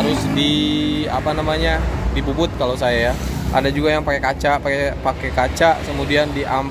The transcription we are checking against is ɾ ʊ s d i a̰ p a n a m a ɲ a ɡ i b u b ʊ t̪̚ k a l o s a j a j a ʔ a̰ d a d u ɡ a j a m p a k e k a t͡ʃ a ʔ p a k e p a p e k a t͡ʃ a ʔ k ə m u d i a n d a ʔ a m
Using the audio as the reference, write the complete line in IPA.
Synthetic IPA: ɾ ʊ s d i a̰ p a n a m a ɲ a d i b u b ʊ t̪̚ k a l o s a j a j a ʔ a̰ d a d͡ʒ u ɡ a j a ŋ p a k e k a t͡ʃ a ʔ p a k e p a k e k a t͡ʃ a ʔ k ə m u d i a n d i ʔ a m